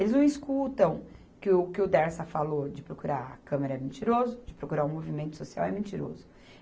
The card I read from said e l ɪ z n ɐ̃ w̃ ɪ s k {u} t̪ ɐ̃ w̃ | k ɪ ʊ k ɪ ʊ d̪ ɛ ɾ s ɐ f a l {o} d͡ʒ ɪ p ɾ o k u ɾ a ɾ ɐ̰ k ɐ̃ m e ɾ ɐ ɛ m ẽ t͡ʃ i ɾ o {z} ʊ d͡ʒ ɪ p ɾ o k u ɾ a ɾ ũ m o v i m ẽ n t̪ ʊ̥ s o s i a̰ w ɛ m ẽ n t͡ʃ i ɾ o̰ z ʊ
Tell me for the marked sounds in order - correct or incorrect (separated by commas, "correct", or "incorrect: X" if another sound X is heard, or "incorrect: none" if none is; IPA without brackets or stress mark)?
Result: correct, correct, correct